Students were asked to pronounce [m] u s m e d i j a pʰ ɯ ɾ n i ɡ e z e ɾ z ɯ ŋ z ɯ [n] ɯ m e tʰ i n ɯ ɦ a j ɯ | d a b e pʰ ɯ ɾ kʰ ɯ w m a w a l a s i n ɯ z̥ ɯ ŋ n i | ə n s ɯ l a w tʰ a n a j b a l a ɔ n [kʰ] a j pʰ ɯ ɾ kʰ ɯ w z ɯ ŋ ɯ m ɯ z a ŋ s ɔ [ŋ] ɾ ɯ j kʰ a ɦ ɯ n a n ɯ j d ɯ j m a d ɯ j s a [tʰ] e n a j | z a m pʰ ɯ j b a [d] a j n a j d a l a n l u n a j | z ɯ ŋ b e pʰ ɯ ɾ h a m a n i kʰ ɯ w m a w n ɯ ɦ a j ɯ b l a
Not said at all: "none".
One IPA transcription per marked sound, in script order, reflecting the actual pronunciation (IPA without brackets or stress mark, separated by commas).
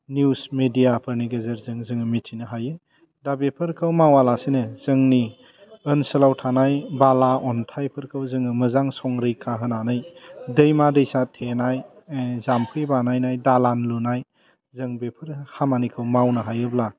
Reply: n, ŋ, tʰ, ŋ, tʰ, n